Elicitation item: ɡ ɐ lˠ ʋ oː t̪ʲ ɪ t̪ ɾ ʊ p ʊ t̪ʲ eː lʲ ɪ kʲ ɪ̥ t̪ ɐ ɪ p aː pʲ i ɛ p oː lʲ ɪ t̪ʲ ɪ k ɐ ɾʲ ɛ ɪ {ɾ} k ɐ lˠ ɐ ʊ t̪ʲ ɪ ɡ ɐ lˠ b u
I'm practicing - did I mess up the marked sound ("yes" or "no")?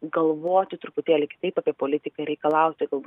yes